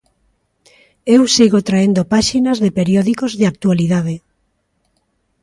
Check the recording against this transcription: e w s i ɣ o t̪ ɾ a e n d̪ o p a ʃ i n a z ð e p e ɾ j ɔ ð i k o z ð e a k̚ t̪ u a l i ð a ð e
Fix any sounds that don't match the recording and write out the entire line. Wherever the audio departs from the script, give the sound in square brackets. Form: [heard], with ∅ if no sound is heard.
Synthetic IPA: e w s i ɣ o t̪ ɾ a e n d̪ o p a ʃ i n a z ð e p e ɾ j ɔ ð i k o z ð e a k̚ t̪ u a l i ð a ð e